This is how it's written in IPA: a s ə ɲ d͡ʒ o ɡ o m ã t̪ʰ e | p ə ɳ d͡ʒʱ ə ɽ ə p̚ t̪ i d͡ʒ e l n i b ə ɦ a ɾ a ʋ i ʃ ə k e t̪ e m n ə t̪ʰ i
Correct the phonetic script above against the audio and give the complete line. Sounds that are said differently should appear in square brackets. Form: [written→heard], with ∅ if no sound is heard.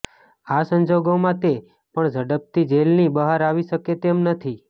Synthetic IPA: a s ə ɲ d͡ʒ o ɡ o m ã [t̪ʰ→t̪] e | p ə ɳ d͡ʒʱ ə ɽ ə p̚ t̪ i d͡ʒ e l n i b ə ɦ a ɾ a ʋ i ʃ ə k e t̪ e m n ə t̪ʰ i